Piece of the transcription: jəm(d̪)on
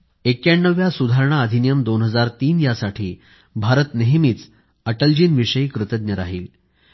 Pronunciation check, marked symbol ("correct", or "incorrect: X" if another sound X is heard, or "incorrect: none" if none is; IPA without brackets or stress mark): correct